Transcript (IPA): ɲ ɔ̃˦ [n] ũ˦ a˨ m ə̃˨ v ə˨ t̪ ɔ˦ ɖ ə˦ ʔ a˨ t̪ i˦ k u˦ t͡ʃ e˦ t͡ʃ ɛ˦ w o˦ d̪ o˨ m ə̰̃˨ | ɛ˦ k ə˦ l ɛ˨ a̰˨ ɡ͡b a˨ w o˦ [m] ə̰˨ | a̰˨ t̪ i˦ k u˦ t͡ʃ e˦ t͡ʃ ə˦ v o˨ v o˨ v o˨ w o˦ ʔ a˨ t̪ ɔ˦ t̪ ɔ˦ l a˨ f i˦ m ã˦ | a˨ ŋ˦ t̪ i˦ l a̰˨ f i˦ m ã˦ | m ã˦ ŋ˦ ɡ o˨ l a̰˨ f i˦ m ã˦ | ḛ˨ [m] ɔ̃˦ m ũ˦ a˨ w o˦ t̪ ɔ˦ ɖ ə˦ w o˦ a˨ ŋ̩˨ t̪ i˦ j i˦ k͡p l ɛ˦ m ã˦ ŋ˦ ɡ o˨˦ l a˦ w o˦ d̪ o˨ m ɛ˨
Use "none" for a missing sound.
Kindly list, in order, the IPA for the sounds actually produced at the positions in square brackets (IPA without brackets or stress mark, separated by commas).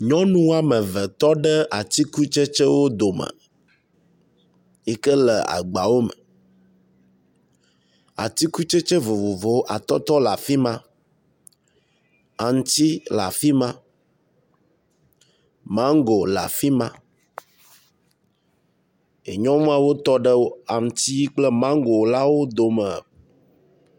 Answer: n, m, ɲ